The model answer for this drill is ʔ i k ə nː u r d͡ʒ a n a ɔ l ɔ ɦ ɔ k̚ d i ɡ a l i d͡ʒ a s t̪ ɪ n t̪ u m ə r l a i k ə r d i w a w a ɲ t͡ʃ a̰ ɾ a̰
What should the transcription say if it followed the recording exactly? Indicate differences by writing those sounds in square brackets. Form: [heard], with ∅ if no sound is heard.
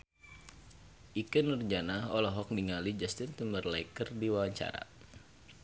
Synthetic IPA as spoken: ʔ i k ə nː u r d͡ʒ a n a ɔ l ɔ ɦ ɔ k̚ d i [ŋ] a l i d͡ʒ a s t̪ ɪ n t̪ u m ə r l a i k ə r d i w a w a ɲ t͡ʃ a̰ ɾ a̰